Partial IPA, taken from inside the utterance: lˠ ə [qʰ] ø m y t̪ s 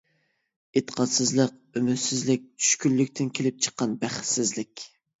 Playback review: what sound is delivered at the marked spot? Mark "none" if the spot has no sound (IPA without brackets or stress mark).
q